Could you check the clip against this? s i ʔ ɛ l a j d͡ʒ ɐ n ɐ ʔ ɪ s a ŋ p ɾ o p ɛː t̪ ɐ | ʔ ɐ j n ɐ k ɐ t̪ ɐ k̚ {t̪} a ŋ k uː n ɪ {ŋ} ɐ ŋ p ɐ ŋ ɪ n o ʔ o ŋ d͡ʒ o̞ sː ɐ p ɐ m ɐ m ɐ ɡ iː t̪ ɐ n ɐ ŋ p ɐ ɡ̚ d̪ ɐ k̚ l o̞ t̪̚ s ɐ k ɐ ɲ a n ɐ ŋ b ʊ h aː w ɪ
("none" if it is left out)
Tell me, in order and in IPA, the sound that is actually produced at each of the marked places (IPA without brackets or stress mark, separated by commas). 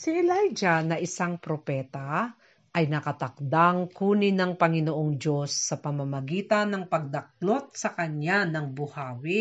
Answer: d̪, n